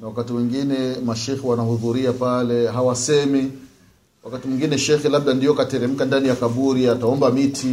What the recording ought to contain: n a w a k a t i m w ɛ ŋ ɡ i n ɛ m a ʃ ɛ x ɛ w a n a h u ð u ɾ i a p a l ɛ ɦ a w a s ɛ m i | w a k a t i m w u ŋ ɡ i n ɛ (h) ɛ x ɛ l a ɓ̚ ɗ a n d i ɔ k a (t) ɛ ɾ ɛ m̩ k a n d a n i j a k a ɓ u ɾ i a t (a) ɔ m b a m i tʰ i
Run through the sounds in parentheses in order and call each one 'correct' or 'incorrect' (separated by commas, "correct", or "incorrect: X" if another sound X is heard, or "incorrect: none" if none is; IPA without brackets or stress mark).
incorrect: ʃ, correct, correct